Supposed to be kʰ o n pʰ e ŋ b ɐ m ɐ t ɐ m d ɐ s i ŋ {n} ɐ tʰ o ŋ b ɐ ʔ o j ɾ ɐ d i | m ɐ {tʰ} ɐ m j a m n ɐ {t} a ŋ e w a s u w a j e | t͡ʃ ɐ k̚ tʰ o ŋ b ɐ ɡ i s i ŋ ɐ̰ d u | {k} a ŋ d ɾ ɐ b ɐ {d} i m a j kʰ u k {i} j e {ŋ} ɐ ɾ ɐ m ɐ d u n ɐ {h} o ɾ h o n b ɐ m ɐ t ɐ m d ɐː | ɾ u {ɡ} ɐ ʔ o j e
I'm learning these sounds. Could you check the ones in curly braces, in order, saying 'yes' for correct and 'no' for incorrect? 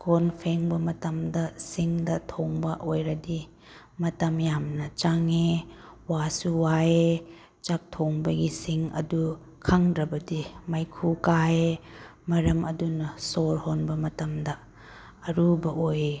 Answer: no, no, no, no, yes, no, no, no, no

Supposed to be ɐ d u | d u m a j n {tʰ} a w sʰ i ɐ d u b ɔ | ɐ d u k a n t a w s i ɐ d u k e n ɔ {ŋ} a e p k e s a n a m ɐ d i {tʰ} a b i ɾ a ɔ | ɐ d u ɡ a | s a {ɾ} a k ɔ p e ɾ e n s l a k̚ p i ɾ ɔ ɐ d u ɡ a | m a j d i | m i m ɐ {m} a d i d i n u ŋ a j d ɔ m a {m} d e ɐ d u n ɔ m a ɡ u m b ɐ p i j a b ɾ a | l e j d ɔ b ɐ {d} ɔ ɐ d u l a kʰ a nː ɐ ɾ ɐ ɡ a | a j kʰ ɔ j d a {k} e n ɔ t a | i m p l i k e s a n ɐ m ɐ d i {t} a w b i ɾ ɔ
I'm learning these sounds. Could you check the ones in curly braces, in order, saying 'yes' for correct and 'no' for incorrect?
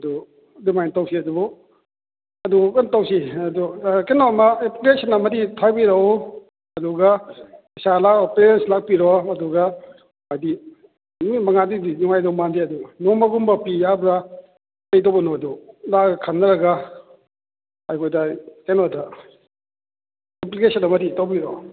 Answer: no, no, yes, no, no, no, no, yes, yes

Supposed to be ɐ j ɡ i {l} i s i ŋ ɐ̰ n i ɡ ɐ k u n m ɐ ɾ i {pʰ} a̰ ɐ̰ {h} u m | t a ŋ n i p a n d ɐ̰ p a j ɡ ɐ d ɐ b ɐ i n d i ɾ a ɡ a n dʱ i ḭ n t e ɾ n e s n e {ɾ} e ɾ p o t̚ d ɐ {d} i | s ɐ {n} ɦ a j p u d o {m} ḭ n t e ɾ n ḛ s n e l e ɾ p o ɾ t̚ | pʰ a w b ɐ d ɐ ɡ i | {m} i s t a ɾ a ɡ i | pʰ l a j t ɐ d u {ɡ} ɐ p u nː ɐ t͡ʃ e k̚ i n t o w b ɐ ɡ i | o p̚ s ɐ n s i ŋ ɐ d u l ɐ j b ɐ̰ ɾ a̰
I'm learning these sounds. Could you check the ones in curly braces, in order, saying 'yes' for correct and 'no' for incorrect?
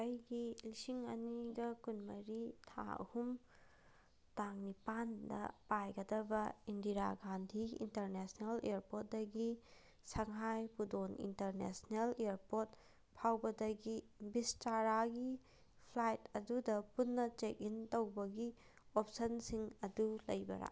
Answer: yes, no, yes, no, no, no, no, no, no

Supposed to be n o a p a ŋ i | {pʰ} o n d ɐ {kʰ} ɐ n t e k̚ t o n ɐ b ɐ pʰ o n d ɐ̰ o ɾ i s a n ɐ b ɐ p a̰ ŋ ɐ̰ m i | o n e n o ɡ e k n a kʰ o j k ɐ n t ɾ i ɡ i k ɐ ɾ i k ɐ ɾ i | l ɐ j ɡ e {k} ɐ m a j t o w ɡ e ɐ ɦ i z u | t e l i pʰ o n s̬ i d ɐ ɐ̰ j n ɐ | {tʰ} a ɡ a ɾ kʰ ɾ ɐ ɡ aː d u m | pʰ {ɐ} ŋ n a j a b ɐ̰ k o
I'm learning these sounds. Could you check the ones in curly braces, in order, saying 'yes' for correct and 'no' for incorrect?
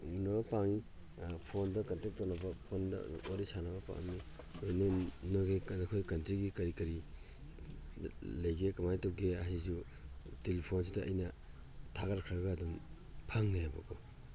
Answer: yes, no, yes, yes, no

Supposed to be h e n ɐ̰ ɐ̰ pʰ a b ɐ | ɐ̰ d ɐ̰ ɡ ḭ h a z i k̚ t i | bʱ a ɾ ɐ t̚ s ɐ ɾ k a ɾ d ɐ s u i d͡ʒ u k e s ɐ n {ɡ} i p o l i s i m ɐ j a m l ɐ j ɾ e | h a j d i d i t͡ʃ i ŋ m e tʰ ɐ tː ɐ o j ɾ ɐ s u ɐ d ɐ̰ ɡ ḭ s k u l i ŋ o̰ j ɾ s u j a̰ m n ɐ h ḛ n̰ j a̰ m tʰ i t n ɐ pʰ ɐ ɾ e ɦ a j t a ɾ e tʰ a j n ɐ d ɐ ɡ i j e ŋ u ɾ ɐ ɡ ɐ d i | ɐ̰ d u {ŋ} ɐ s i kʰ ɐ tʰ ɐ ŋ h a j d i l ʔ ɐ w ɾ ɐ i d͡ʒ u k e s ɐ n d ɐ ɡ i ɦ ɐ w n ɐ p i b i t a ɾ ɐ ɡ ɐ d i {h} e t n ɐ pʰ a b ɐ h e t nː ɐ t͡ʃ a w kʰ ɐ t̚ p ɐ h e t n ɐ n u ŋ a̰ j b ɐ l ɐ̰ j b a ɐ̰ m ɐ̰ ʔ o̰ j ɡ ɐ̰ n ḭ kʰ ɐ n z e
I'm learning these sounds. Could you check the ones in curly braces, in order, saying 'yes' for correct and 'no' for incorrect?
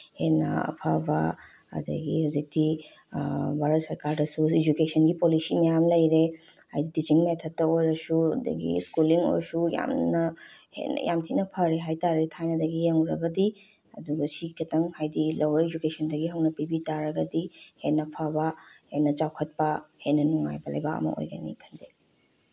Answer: yes, no, yes

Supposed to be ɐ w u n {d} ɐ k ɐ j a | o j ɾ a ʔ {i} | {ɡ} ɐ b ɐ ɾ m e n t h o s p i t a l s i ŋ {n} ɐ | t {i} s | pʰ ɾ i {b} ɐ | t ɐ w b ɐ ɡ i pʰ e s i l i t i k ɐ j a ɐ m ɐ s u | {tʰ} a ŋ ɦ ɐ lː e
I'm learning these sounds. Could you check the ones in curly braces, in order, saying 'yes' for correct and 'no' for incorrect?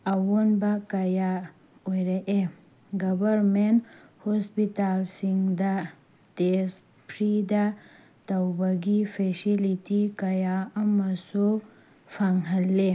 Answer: no, no, yes, no, no, no, no

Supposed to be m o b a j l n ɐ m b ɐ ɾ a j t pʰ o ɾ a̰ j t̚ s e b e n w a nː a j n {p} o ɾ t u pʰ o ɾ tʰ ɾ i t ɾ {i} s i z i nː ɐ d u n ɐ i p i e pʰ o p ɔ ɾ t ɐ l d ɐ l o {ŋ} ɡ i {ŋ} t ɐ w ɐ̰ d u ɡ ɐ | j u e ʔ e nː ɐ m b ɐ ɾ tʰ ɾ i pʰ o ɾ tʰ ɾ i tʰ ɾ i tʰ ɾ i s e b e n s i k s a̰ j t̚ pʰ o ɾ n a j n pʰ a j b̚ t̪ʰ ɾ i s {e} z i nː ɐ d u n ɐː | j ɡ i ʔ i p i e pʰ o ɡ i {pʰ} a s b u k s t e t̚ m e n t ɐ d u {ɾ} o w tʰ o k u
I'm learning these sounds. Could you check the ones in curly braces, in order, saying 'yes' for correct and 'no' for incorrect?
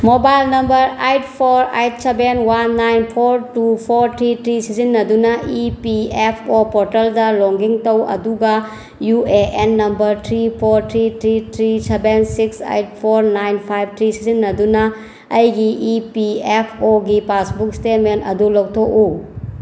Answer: no, yes, yes, yes, no, no, no

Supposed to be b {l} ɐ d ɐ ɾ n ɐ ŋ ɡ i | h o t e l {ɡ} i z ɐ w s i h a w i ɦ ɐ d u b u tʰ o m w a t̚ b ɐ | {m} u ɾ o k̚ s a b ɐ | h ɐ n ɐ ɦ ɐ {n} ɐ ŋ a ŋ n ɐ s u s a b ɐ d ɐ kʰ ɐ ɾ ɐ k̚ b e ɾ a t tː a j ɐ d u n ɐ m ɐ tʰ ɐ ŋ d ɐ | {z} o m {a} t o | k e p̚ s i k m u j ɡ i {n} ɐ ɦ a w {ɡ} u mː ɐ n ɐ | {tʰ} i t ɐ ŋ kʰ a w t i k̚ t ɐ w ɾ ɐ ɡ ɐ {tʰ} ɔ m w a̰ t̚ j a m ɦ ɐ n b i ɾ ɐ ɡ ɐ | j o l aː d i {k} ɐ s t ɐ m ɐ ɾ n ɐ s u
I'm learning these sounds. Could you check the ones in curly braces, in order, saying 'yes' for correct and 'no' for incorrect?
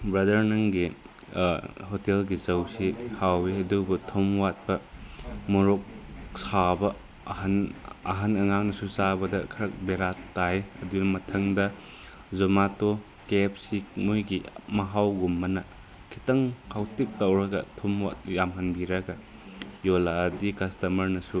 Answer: no, yes, yes, yes, yes, yes, no, yes, no, yes, yes

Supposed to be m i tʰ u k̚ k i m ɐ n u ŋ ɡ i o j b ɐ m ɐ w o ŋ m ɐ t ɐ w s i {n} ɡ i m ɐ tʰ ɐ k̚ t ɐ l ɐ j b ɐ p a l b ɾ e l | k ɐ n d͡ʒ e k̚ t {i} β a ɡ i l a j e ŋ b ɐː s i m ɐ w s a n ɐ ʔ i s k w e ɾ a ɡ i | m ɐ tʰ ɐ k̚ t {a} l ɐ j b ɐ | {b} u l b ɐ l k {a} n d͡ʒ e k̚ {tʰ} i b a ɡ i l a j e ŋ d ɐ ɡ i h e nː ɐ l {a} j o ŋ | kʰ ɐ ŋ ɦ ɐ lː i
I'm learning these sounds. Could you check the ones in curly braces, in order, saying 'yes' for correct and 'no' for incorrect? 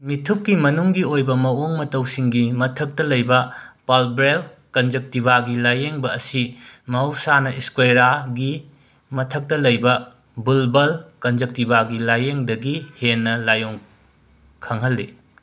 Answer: no, yes, no, yes, no, no, yes

